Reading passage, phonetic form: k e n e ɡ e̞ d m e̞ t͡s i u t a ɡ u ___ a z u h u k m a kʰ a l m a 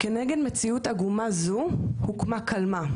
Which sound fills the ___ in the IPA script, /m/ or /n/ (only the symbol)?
m